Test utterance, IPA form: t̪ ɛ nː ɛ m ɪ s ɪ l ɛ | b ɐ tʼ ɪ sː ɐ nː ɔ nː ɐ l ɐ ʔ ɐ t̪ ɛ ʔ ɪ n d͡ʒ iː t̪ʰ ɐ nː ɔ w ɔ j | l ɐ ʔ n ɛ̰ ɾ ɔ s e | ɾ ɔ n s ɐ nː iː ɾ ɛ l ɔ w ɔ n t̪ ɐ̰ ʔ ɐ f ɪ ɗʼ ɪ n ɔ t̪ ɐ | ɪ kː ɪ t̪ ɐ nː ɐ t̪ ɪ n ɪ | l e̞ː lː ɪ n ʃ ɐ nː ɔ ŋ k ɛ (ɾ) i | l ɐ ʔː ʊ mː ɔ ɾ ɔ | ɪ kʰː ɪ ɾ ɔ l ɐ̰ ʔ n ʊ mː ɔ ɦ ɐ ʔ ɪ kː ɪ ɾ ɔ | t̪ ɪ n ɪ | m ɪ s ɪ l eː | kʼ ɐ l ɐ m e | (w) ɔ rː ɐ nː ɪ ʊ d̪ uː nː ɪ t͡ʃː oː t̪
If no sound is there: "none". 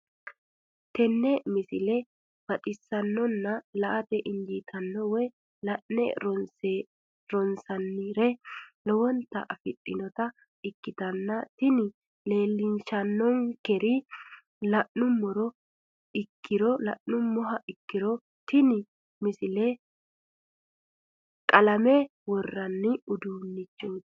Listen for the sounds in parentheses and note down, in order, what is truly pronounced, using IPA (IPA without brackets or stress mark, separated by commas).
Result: ɾ, w